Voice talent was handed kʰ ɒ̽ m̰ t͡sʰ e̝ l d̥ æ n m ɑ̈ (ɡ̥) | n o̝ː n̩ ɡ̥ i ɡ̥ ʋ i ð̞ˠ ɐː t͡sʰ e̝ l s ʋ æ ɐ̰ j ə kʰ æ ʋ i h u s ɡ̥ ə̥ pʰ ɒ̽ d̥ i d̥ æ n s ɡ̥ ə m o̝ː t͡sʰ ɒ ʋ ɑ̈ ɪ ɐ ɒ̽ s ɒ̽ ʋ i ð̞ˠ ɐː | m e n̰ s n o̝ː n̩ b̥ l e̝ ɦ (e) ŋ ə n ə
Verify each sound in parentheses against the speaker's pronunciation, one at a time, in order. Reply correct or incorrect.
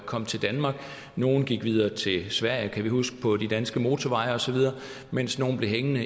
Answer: correct, correct

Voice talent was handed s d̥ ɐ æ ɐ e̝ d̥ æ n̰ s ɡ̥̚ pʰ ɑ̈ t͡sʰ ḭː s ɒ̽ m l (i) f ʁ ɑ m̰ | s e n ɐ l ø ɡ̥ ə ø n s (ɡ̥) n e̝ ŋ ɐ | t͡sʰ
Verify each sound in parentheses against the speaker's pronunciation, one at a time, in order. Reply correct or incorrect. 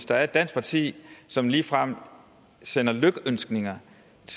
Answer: incorrect, correct

